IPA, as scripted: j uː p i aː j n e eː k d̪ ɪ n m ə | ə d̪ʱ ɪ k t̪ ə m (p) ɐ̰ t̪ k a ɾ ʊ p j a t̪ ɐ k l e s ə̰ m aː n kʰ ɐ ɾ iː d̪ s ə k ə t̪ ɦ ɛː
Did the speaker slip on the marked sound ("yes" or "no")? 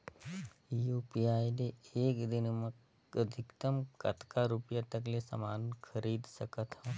yes